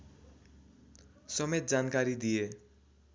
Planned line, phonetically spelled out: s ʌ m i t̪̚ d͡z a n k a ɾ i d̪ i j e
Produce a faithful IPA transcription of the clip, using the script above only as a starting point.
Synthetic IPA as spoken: s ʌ m e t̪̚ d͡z a n k a ɾ i d̪ i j e